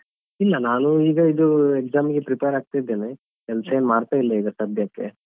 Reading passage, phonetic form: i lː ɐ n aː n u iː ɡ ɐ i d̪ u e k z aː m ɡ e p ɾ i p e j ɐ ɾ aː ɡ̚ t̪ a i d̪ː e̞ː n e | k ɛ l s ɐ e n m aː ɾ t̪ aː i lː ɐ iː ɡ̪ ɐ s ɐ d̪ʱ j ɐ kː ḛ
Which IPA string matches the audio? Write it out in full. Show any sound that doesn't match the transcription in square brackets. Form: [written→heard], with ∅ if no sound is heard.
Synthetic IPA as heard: i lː ɐ n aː n u iː ɡ ɐ i d̪ u e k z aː m ɡ e p ɾ i p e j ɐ ɾ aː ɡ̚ t̪ a i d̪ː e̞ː n e | k ɛ l s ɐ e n m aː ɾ t̪ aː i lː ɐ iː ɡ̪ ɐ s ɐ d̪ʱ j ɐ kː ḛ